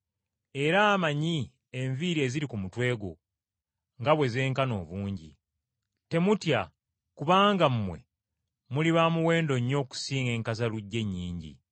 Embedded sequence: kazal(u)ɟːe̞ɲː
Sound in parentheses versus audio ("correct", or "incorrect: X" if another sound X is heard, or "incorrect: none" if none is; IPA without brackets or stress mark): correct